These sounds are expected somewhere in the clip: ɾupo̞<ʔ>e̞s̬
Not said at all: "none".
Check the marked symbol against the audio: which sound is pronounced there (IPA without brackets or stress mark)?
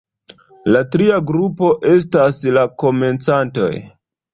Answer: ʔ